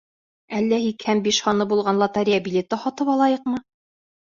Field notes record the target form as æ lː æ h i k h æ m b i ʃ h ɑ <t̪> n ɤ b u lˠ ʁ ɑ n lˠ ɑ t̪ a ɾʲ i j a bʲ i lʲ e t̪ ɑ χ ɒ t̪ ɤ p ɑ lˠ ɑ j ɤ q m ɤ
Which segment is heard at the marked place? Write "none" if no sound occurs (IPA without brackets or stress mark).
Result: none